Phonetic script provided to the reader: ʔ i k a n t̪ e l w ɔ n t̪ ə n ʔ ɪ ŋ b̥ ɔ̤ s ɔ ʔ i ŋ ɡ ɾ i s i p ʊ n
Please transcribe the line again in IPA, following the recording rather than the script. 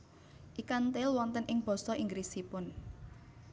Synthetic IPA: ʔ i k a n t̪ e l w ɔ n t̪ ə n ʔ ɪ ŋ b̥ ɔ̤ s ɔ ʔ i ŋ ɡ ɾ i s i p ʊ n